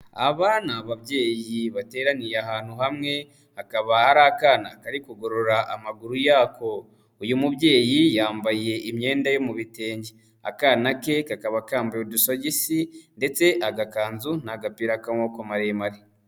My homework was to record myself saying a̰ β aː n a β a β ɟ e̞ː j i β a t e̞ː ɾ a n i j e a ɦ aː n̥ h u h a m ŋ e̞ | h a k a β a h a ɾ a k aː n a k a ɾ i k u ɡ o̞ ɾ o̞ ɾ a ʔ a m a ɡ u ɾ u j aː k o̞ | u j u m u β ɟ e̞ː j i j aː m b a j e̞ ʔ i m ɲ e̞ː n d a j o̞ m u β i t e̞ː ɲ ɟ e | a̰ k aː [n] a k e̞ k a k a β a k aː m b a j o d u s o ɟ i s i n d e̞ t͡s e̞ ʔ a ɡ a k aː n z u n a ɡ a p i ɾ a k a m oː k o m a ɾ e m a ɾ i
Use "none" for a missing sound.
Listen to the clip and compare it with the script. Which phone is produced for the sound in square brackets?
n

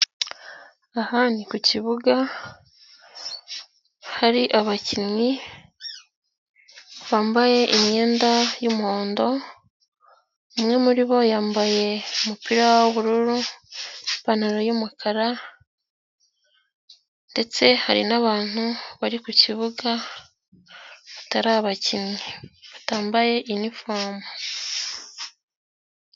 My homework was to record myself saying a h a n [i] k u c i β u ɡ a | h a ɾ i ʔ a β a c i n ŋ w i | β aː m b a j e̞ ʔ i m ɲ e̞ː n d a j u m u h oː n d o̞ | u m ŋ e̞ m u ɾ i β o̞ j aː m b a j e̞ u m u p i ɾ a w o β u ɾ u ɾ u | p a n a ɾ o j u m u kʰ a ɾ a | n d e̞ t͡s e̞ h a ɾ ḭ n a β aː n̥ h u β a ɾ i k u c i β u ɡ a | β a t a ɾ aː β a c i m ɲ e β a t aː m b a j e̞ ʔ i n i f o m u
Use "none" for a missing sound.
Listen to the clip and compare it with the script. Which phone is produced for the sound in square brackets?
i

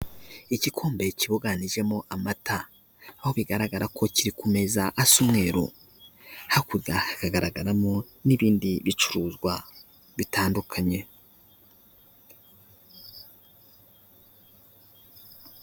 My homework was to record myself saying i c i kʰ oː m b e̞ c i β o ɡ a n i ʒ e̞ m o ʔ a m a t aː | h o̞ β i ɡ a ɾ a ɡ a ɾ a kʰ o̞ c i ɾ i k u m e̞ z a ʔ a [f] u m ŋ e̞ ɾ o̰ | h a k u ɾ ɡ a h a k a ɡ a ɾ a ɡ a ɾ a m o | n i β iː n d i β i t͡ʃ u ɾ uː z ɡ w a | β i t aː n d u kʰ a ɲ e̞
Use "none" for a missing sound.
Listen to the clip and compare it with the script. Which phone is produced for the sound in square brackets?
s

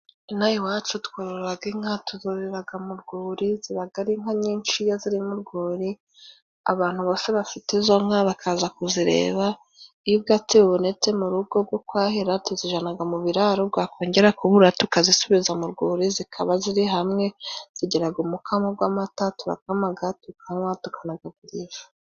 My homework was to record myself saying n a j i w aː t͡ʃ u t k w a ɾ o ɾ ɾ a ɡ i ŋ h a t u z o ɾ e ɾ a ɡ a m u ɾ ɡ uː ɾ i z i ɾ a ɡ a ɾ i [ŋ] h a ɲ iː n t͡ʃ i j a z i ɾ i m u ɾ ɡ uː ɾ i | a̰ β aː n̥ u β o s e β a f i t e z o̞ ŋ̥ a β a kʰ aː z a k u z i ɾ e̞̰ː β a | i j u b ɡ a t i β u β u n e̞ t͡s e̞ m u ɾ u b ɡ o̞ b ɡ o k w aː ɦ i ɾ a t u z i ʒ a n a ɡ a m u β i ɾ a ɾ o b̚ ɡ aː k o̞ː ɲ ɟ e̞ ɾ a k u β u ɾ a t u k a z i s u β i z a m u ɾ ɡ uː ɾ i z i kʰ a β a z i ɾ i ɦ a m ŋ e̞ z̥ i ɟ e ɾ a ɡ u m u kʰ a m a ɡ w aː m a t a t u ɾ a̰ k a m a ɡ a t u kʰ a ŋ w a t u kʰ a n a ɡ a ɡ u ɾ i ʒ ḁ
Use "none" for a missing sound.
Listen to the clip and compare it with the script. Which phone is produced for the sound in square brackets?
ŋ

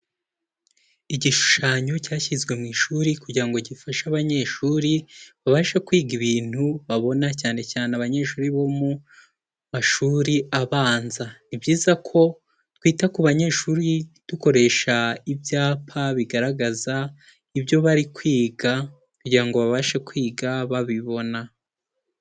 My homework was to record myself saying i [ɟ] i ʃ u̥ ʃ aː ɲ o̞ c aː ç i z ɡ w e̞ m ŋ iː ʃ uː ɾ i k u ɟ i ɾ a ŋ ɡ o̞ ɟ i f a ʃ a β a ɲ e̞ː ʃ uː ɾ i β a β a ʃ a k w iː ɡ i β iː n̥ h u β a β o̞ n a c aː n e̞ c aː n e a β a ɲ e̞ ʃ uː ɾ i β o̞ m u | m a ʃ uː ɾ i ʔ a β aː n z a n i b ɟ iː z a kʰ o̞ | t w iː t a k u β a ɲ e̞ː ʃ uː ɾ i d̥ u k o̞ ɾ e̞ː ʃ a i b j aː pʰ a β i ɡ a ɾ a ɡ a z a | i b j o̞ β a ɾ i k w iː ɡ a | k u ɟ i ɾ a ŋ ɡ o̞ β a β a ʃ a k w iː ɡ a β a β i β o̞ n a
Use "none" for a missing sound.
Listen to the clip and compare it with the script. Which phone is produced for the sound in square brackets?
ɟ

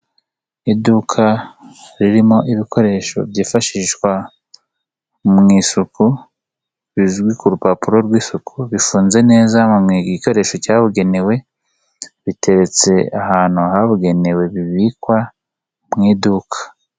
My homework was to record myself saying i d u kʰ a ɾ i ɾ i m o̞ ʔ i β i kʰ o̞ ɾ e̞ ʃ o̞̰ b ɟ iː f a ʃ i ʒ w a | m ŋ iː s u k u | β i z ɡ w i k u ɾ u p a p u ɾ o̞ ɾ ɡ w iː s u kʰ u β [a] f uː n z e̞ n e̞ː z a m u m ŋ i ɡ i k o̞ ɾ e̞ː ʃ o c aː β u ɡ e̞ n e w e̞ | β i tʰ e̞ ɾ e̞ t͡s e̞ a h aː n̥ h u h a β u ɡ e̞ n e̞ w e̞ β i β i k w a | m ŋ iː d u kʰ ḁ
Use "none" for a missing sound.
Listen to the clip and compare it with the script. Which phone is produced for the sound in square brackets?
i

